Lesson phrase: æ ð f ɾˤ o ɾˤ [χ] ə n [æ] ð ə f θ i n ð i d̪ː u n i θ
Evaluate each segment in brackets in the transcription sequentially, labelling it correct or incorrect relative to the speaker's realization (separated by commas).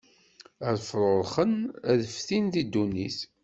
correct, correct